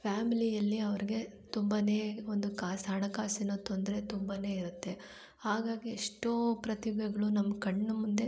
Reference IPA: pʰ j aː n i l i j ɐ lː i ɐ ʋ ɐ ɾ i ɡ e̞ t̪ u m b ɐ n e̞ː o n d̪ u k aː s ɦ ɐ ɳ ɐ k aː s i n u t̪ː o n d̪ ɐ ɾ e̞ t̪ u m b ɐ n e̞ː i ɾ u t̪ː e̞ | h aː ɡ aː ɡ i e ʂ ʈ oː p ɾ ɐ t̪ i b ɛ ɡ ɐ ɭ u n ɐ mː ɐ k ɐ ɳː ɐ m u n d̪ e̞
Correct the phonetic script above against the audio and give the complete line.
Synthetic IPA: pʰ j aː m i l i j ɐ lː i ɐ ʋ ɐ ɾ i ɡ e̞ t̪ u m b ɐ n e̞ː o n d̪ u k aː s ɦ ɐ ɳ ɐ k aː s i n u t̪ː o n d̪ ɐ ɾ e̞ t̪ u m b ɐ n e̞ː i ɾ u t̪ː e̞ | h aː ɡ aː ɡ i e ʂ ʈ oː p ɾ ɐ t̪ i b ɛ ɡ ɐ ɭ u n ɐ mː ɐ k ɐ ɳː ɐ m u n d̪ e̞